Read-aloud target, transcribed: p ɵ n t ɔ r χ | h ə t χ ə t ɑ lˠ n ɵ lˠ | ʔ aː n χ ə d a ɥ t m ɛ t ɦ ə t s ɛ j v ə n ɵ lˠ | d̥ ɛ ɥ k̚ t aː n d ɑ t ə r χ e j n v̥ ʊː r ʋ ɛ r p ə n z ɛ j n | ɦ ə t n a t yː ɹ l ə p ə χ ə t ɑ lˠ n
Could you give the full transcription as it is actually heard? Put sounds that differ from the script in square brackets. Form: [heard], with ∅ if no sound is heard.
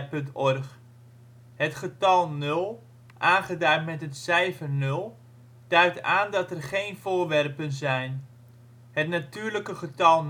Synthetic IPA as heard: p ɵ n t ɔ r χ | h ə t χ ə t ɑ lˠ n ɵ lˠ | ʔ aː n χ ə d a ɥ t m ɛ t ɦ ə t s ɛ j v ə n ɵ lˠ | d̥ [œ] ɥ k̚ t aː n d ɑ t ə r χ e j n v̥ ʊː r ʋ ɛ r p ə n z ɛ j n | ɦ ə t n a t yː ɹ l ə [k] ə χ ə t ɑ lˠ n